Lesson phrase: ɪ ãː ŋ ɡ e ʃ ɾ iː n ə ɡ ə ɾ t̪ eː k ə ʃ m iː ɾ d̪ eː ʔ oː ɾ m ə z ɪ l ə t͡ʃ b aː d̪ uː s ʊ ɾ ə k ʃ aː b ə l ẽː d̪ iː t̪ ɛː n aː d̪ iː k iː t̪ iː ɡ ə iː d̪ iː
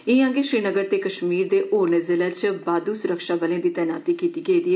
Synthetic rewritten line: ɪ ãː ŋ ɡ e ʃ ɾ iː n ə ɡ ə ɾ t̪ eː k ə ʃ m iː ɾ d̪ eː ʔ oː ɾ n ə z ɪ l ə t͡ʃ b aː d̪ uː s ʊ ɾ ə k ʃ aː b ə l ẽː d̪ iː t̪ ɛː n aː t̪ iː k iː t̪ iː ɡ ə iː d̪ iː